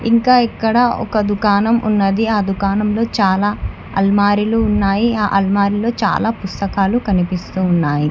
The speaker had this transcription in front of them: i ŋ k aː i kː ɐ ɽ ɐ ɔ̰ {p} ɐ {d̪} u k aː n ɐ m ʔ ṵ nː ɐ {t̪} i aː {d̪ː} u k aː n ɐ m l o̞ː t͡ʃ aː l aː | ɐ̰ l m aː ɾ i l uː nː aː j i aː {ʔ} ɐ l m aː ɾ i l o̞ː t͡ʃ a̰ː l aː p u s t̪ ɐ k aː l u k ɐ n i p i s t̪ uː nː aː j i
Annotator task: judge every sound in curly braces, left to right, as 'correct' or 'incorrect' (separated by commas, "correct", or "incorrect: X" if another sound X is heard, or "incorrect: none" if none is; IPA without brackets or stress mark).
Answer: incorrect: k, correct, incorrect: d̪, incorrect: d̪, correct